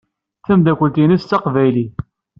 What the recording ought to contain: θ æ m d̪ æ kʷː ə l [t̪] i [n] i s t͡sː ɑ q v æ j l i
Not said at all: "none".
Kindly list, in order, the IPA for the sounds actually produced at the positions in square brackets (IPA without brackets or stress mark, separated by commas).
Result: t̪, n